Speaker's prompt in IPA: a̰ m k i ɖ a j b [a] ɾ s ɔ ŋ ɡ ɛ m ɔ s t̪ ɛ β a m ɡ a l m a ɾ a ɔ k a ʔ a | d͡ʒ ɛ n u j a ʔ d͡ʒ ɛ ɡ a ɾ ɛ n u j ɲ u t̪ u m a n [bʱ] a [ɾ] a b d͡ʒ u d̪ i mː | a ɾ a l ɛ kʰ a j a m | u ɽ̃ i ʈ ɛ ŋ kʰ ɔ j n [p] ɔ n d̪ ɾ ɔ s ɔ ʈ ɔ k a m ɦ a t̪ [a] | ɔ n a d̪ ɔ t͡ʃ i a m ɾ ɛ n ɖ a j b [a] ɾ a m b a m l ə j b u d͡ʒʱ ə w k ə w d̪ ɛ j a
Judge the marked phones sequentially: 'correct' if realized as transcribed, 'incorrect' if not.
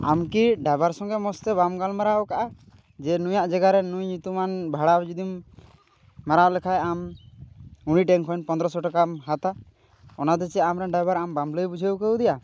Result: correct, correct, incorrect, correct, correct, correct

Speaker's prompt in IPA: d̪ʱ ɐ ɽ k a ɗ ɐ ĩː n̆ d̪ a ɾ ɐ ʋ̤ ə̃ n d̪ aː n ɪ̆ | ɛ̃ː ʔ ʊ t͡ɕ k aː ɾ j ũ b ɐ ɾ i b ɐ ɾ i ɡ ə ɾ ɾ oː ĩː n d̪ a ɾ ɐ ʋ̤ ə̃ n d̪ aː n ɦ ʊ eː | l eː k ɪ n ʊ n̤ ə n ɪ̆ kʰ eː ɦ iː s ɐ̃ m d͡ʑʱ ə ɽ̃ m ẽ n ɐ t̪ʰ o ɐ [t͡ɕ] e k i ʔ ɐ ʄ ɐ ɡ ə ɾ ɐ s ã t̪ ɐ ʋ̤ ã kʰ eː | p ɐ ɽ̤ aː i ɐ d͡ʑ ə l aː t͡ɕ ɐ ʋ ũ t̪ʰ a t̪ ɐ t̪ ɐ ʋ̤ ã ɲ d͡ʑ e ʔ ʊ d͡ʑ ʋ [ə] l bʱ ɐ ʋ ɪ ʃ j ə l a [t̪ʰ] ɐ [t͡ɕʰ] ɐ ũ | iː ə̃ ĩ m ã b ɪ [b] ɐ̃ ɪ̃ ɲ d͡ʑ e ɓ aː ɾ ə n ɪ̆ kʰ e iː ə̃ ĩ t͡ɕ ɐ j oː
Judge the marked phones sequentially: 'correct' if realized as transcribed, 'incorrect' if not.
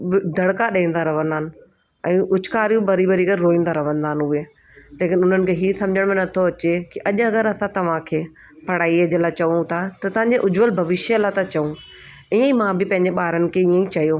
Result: correct, correct, incorrect, incorrect, incorrect

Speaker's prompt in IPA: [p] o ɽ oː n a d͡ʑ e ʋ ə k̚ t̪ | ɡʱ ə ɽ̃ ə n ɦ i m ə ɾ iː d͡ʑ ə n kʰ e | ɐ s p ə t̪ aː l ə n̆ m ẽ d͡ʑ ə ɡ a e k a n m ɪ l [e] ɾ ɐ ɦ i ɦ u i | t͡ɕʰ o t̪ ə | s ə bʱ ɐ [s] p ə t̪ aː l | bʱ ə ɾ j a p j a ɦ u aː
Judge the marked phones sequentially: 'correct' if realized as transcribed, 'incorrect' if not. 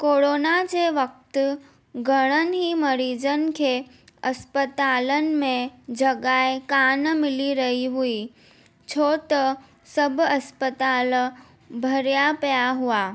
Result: incorrect, incorrect, correct

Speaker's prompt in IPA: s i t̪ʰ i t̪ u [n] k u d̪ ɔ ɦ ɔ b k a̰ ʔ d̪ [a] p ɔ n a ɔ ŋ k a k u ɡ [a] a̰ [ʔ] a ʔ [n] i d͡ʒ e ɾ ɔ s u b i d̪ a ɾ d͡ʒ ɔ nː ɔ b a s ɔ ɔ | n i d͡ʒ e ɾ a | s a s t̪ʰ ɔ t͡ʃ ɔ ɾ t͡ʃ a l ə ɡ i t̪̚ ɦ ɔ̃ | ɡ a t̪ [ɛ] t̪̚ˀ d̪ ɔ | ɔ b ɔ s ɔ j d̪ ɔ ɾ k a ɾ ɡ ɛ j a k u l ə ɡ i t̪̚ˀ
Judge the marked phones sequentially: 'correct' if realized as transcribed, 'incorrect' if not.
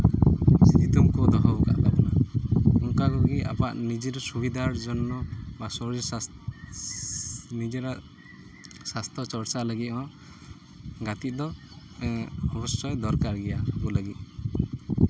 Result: incorrect, correct, incorrect, incorrect, correct, incorrect

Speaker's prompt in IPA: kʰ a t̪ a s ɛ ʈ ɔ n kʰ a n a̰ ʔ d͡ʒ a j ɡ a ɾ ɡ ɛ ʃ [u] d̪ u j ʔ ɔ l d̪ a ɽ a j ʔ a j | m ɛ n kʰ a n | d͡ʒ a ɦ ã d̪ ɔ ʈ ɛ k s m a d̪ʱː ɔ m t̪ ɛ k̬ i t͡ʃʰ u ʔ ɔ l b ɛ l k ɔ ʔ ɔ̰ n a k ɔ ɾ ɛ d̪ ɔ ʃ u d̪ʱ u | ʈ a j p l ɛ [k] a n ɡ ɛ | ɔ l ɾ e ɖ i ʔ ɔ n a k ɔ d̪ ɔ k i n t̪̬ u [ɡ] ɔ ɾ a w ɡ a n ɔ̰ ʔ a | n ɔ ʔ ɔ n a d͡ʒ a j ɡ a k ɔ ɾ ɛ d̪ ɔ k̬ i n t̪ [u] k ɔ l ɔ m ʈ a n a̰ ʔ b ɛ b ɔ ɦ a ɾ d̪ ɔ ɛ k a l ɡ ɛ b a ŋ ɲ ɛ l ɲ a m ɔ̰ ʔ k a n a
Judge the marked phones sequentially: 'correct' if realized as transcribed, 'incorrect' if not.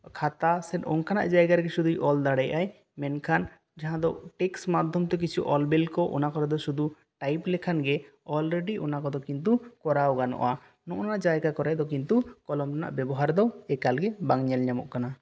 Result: correct, incorrect, incorrect, correct

